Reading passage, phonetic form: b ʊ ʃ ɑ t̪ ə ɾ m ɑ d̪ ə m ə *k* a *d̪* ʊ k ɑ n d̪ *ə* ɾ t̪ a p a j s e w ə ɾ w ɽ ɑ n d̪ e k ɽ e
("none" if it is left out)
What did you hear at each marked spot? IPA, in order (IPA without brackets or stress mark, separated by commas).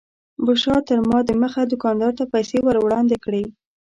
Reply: x, d̪, ɑ